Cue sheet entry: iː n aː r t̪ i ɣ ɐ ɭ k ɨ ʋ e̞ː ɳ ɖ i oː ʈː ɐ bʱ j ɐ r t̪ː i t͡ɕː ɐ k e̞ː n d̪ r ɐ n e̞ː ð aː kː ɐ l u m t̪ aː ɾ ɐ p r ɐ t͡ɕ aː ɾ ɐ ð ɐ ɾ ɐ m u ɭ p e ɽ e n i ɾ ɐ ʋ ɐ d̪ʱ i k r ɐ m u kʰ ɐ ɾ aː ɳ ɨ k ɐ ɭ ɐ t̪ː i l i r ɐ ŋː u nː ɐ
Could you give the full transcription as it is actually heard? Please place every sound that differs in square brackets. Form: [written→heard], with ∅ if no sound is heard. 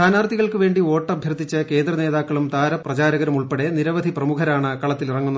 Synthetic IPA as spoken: [iː→aː] n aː r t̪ i ɣ ɐ ɭ k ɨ ʋ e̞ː ɳ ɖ i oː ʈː ɐ bʱ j ɐ r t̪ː i t͡ɕː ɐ k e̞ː n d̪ r ɐ n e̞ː ð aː kː ɐ [l→ɭ] u m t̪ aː ɾ ɐ p r ɐ t͡ɕ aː ɾ ɐ [ð→ɣ] ɐ ɾ ɐ m u ɭ p e ɽ e n i ɾ ɐ ʋ ɐ d̪ʱ i [k→p] r ɐ m u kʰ ɐ ɾ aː ɳ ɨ k ɐ ɭ ɐ t̪ː i l i r ɐ ŋː u nː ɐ